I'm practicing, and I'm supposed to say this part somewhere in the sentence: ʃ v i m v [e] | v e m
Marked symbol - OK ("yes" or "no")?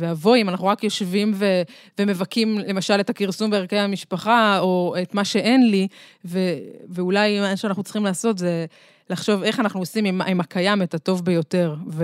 yes